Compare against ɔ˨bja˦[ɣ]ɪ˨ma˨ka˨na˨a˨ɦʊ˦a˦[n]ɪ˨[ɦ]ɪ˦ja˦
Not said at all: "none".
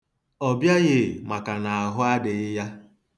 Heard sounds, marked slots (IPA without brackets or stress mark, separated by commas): ɣ, d, none